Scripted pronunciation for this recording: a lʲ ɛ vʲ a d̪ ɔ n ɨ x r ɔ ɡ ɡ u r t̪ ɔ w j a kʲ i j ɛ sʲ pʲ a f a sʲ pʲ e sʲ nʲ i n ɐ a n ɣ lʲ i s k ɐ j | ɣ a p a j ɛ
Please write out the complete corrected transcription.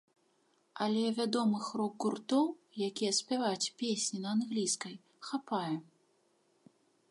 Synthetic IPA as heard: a lʲ ɛ vʲ a d̪ ɔ m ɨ x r ɔ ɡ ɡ u r t̪ ɔ w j a kʲ i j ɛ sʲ pʲ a v a t͡sʲ pʲ e sʲ nʲ i n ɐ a n ɣ lʲ i s k ɐ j | x a p a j ɛ